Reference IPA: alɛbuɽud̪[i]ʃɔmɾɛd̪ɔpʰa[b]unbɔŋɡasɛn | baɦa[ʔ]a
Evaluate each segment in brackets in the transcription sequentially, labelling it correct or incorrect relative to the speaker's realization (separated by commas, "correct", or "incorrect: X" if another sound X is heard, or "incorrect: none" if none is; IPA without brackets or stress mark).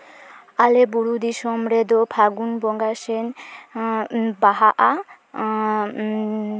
correct, incorrect: ɡ, correct